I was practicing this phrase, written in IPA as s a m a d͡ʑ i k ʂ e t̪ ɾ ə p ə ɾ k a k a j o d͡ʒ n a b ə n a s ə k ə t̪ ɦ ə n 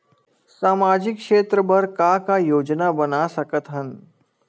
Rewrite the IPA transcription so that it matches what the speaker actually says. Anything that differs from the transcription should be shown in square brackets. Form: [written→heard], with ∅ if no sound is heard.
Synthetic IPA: s a m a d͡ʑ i k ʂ e t̪ ɾ ə [p→b] ə ɾ k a k a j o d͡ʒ n a b ə n a s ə k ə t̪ ɦ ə n

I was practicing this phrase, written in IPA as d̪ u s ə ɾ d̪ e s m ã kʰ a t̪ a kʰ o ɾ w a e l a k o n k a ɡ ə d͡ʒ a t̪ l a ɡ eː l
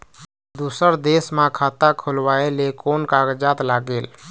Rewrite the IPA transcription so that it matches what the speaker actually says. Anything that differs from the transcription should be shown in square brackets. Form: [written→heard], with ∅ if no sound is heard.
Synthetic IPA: d̪ u s ə ɾ d̪ e s m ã kʰ a t̪ a kʰ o [ɾ→l] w a e l [a→e] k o n k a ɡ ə d͡ʒ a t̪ l a ɡ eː l

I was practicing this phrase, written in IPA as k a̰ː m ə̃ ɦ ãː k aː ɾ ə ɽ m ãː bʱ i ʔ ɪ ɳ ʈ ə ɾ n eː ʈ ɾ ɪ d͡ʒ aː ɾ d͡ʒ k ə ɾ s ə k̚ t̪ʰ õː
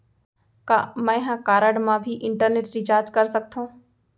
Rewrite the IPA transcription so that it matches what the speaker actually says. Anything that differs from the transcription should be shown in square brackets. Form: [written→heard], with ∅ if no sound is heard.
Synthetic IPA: k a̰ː m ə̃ ɦ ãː k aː ɾ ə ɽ m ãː bʱ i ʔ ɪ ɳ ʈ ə ɾ n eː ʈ ɾ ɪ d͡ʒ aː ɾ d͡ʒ k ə ɾ s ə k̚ t̪ʰ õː

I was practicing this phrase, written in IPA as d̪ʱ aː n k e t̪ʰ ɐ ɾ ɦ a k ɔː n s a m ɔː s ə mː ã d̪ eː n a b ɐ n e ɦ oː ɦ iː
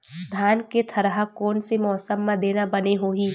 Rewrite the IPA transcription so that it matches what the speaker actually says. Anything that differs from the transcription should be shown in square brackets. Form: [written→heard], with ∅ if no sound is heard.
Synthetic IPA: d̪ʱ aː n k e t̪ʰ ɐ ɾ ɦ a k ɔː n s [a→e] m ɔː s ə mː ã d̪ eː n a b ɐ n e ɦ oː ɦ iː

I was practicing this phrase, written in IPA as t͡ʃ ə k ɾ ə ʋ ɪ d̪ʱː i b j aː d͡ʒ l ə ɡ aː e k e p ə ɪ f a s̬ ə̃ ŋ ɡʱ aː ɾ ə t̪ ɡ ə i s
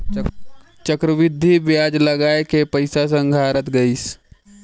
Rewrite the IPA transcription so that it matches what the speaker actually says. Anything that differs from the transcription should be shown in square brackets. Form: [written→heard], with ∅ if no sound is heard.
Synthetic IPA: t͡ʃ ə k ɾ ə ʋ ɪ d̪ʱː i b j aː d͡ʒ l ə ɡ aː e k e p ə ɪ [f→s] a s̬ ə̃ ŋ ɡʱ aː ɾ ə t̪ ɡ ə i s

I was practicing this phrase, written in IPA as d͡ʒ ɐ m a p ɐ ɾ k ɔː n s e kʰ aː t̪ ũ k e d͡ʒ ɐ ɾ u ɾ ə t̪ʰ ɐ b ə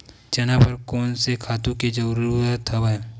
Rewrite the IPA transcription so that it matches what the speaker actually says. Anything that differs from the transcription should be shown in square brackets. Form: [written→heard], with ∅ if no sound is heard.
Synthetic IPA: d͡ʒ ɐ [m→n] a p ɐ ɾ k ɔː n s e kʰ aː t̪ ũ k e d͡ʒ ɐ ɾ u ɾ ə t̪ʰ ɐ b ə

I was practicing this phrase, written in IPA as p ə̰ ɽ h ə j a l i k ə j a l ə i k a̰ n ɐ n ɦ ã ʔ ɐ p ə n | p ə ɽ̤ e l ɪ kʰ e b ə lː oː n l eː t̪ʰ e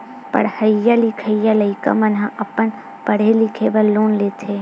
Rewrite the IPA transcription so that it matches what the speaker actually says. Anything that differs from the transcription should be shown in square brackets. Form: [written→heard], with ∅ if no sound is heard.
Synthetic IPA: p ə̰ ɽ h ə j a l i [k→kʰ] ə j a l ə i k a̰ [n→m] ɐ n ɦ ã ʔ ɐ p ə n | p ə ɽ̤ e l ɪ kʰ e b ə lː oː n l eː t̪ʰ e

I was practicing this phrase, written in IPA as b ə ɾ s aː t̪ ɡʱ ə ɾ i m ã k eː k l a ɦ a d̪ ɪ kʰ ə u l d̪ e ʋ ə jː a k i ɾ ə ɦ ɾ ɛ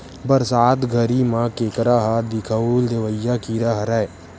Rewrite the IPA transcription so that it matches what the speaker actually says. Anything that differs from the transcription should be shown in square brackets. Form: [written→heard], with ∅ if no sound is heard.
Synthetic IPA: b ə ɾ s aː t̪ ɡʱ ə ɾ i m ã k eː k [l→ɾ] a ɦ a d̪ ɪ kʰ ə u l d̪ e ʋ ə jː a k i ɾ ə ɦ ɾ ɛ

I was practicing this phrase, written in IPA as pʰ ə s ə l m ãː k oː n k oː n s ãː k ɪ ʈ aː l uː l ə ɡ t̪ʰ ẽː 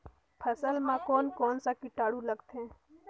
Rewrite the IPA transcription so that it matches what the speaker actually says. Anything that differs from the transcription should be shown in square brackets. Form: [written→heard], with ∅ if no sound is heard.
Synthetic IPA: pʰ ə s ə l m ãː k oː n k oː n s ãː k ɪ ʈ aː [l→ɽ] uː l ə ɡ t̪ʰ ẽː

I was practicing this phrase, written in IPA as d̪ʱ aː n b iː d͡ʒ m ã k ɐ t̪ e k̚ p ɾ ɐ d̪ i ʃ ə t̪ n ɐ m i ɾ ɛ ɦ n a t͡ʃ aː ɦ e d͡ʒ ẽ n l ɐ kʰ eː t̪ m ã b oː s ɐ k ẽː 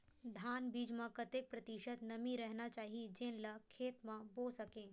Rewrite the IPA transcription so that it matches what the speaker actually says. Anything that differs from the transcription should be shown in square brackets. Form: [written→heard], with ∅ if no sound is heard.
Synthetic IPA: d̪ʱ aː n b iː d͡ʒ m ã k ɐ t̪ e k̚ p ɾ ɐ [d̪→t̪] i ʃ ə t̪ n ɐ m i ɾ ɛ ɦ n a t͡ʃ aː ɦ [e→i] d͡ʒ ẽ n l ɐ kʰ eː t̪ m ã b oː s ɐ k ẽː

